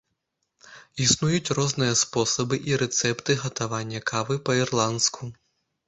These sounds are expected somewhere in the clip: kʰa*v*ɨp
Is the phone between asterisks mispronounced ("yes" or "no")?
no